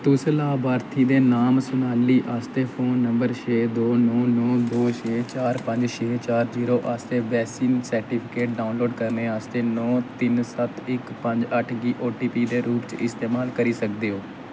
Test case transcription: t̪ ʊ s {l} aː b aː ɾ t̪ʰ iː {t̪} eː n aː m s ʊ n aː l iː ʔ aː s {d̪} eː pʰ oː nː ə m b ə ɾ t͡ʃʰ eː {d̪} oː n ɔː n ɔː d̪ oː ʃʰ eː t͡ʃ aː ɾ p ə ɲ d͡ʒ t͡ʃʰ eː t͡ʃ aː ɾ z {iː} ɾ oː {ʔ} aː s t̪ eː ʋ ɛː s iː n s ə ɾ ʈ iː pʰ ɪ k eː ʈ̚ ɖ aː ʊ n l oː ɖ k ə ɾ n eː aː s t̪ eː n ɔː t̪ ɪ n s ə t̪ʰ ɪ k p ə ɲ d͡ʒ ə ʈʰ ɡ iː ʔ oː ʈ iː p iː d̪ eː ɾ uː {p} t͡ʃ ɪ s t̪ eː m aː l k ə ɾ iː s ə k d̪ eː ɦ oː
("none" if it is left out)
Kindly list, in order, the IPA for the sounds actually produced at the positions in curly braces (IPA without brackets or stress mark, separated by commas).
l, d̪, t̪, d̪, iː, ʔ, p